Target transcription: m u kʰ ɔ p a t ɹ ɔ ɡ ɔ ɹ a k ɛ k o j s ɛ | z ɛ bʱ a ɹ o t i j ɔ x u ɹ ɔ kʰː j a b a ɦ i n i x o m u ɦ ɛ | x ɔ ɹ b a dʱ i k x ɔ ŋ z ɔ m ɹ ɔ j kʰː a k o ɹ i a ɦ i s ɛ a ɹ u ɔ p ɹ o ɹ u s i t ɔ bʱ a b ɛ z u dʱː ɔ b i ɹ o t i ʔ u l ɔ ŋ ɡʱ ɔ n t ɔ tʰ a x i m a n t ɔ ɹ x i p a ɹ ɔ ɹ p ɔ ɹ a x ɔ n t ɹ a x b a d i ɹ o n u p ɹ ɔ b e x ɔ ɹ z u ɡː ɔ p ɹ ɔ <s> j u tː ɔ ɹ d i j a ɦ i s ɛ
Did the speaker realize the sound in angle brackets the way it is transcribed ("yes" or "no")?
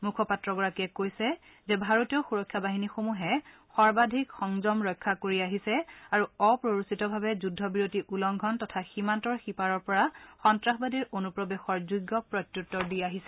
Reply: no